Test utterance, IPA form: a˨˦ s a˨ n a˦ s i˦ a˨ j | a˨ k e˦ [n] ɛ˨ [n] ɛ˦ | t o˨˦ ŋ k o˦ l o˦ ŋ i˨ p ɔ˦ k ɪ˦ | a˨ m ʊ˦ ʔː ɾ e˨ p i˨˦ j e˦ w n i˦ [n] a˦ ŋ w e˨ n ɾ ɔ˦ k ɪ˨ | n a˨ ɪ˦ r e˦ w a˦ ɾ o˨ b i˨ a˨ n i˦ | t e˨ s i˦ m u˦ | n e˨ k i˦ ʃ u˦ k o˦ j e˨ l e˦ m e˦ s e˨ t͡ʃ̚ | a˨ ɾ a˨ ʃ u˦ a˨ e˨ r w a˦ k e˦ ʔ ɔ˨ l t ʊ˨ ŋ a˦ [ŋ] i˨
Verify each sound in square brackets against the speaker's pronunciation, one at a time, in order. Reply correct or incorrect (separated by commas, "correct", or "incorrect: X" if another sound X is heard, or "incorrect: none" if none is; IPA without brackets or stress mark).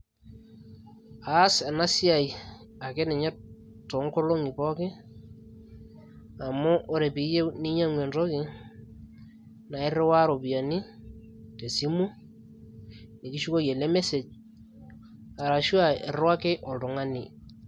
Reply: correct, incorrect: ɲ, incorrect: ɲ, incorrect: n